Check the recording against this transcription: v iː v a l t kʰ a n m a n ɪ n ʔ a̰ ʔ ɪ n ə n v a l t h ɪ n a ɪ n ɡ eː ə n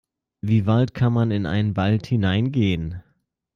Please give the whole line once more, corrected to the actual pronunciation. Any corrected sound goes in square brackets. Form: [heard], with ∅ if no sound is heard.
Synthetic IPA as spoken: v iː v a l t kʰ a n m a n ɪ n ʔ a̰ [∅] ɪ n ə n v a l t h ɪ n a ɪ n ɡ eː ə n

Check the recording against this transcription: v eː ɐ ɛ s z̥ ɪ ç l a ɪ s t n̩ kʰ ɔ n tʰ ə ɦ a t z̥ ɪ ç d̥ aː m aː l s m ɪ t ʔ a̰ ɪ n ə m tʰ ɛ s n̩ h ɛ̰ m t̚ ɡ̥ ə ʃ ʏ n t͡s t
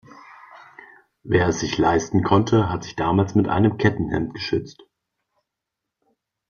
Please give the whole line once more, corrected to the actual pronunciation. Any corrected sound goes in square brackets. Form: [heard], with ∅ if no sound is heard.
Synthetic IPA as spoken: v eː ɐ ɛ s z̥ ɪ ç l a ɪ s t n̩ kʰ ɔ n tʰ ə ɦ a t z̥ ɪ ç d̥ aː m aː l s m ɪ t ʔ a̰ ɪ n ə m [kʰ] ɛ [t] n̩ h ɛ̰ m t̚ ɡ̥ ə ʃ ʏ [∅] t͡s t

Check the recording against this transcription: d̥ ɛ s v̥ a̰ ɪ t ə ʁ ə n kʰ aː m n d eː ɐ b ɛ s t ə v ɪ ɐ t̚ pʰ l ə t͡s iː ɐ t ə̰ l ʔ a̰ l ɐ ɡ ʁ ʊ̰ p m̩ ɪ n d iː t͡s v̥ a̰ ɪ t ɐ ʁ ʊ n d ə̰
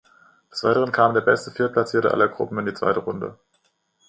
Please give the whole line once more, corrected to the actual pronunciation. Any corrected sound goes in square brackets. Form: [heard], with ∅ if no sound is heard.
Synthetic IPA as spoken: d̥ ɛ s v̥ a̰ ɪ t ə ʁ ə n kʰ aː m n d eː ɐ b ɛ s t ə [f] ɪ ɐ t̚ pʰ l [a] t͡s iː ɐ t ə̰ [∅] ʔ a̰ l ɐ ɡ ʁ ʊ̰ p m̩ ɪ n d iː t͡s v̥ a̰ ɪ t [ə] ʁ ʊ n d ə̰

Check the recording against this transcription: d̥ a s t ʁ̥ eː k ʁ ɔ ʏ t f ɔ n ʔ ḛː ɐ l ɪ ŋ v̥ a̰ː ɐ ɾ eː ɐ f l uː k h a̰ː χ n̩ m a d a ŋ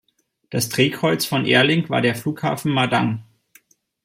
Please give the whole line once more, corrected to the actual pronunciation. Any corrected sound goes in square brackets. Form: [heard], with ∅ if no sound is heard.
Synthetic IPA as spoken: d̥ a s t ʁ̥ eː k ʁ ɔ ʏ [t͡s] f ɔ n ʔ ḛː ɐ l ɪ ŋ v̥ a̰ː ɐ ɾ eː ɐ f l uː k h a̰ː [f] n̩ m a d a ŋ

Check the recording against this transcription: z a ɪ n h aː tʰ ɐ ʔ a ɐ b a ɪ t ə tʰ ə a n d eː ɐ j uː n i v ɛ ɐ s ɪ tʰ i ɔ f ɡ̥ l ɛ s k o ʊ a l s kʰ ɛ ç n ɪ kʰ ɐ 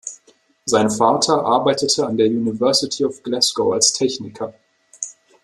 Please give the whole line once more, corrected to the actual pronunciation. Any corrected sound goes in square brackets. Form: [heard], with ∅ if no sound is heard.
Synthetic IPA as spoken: z a ɪ n [f] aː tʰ ɐ ʔ a ɐ b a ɪ t ə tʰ ə a n d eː ɐ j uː n i v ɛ ɐ s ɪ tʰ i ɔ f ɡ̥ l ɛ s k o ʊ a l s [tʰ] ɛ ç n ɪ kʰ ɐ

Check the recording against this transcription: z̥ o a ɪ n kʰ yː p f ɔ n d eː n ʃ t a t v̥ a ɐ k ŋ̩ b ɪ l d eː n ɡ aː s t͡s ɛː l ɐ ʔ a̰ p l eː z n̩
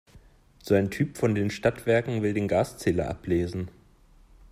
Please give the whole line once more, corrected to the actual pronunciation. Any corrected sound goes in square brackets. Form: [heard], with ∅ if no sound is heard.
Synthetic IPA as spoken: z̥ o a ɪ n [tʰ] yː p f ɔ n d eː n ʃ t a t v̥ [ɛ] ɐ k ŋ̩ [v] ɪ l d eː n ɡ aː s t͡s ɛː l ɐ ʔ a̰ p l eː z n̩

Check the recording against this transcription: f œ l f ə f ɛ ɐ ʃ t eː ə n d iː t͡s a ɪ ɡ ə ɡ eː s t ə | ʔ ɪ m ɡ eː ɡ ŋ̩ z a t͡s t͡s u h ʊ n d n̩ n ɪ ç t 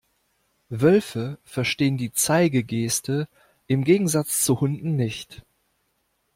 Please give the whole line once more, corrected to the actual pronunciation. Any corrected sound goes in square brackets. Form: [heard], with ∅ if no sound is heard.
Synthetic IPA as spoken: [v] œ l f ə f ɛ ɐ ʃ t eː ə n d iː t͡s a ɪ ɡ ə ɡ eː s t ə | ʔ ɪ m ɡ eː ɡ ŋ̩ z a t͡s t͡s u h ʊ n d n̩ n ɪ ç t

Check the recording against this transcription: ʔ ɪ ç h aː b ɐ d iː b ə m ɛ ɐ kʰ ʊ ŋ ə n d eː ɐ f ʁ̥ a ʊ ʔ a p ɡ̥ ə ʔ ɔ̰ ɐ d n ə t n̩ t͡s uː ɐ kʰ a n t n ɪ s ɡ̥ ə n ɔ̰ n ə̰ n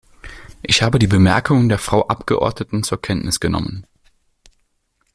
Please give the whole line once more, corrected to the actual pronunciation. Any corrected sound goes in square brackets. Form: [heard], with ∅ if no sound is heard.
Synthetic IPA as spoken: ʔ ɪ ç h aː b [ə] d iː b ə m ɛ ɐ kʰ ʊ ŋ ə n d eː ɐ f ʁ̥ a ʊ ʔ a p ɡ̥ ə ʔ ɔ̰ ɐ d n ə t n̩ t͡s uː ɐ kʰ [ɛ] n t n ɪ s ɡ̥ ə n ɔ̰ [m] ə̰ n

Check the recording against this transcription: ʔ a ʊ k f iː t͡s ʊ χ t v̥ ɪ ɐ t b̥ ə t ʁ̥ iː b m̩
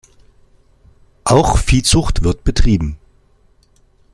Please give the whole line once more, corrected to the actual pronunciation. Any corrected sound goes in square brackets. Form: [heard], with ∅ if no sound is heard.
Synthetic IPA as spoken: ʔ a ʊ [x] f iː t͡s ʊ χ t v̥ ɪ ɐ t b̥ ə t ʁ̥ iː b m̩

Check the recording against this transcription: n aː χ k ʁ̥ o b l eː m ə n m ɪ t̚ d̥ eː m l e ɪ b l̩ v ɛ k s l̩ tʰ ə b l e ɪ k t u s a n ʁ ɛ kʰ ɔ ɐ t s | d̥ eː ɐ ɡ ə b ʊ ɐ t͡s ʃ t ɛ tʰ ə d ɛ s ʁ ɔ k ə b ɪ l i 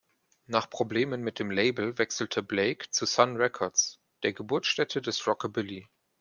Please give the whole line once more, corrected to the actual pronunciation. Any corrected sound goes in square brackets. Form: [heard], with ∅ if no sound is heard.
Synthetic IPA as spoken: n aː χ [p] ʁ̥ o b l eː m ə n m ɪ t̚ d̥ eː m l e ɪ b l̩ v ɛ k s l̩ tʰ ə b l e ɪ k [t͡s] u s a n ʁ ɛ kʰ ɔ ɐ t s | d̥ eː ɐ ɡ ə b ʊ ɐ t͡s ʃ t ɛ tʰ ə d ɛ s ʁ ɔ k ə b ɪ l i

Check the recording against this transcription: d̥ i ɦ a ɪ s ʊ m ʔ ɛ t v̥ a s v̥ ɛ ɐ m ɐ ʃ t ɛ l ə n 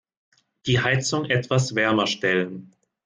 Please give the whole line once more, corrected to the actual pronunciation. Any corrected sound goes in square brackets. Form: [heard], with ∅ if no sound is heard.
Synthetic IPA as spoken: d̥ [iː] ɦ a ɪ [t͡s] ʊ [ŋ] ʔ ɛ t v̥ a s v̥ ɛ ɐ m ɐ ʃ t ɛ l ə n

